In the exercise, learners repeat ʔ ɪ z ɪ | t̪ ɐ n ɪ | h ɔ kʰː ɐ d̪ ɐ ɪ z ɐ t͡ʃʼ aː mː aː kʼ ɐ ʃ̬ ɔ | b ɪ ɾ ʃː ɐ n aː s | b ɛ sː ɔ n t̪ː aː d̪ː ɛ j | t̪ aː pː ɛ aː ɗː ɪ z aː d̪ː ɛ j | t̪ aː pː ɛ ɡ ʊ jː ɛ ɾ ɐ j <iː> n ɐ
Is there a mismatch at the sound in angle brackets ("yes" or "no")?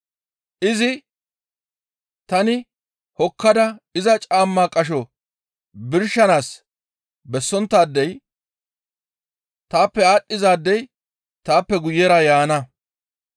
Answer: yes